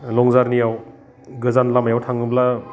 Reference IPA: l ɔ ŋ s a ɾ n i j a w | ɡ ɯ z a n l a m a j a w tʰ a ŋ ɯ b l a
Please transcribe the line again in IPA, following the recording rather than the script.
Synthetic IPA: l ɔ ŋ z a ɾ n i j a w | ɡ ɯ z a n l a m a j a w tʰ a ŋ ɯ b l a

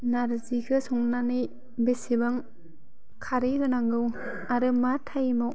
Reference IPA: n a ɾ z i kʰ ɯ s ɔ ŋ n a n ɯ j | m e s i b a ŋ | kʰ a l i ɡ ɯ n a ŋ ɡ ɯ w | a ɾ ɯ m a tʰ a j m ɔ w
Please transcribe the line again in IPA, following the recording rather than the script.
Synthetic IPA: n a ɾ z i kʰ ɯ s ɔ ŋ n a n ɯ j | b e s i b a ŋ | kʰ a ɾ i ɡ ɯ n a ŋ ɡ ɯ w | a ɾ ɯ m a tʰ a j m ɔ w

